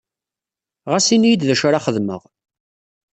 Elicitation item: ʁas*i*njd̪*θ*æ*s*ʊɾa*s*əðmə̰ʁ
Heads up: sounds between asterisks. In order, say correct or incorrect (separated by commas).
correct, incorrect, incorrect, incorrect